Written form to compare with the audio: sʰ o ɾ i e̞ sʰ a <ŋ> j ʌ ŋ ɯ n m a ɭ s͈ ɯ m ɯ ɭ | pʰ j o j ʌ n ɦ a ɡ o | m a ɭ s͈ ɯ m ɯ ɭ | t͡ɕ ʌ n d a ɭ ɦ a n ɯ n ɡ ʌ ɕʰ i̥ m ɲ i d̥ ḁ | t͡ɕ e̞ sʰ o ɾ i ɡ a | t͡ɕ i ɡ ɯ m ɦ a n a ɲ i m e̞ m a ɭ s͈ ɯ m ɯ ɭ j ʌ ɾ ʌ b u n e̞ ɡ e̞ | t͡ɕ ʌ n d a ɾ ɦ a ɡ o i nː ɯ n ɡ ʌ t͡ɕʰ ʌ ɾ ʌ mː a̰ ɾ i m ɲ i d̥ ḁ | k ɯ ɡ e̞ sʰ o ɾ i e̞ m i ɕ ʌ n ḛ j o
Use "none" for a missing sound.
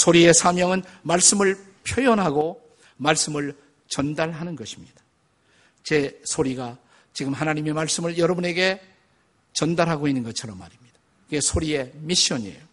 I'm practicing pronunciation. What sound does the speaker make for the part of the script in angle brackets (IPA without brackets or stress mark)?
m